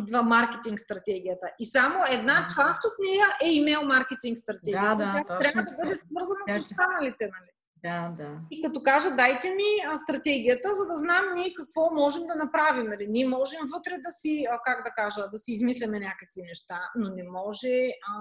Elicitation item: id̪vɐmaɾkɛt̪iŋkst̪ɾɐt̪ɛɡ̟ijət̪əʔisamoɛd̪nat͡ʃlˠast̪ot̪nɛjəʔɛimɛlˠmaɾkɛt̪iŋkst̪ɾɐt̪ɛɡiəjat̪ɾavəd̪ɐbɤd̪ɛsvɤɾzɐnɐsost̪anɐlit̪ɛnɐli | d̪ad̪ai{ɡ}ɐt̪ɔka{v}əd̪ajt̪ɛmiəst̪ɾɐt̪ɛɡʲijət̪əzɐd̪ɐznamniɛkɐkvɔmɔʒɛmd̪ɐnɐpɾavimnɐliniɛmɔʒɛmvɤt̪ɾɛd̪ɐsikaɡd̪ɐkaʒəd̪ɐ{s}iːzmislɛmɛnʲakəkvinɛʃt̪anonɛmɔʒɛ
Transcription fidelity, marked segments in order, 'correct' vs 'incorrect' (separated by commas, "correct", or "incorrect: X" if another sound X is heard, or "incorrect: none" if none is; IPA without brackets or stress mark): incorrect: k, incorrect: ʒ, correct